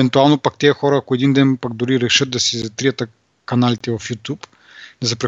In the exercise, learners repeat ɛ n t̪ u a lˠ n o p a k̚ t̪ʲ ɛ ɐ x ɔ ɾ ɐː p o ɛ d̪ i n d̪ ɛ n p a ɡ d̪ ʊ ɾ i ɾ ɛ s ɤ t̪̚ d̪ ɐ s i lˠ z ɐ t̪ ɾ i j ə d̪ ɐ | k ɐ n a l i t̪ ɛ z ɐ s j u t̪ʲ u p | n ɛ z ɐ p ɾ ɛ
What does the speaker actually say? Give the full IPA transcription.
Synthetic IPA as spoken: ɛ n t̪ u a lˠ n o p a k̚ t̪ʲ ɛ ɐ x ɔ ɾ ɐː k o ɛ d̪ i n d̪ ɛ n p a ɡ d̪ ʊ ɾ i ɾ ɛ ʃ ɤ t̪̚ d̪ ɐ s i z ɐ t̪ ɾ i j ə t̪ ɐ | k ɐ n a l i t̪ ɛ v ɐ f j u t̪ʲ u p | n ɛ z ɐ p ɾ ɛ